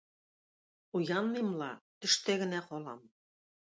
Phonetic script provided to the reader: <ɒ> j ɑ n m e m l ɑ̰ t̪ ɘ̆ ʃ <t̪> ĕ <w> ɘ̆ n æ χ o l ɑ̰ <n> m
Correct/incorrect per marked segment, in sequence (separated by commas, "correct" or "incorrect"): incorrect, correct, incorrect, incorrect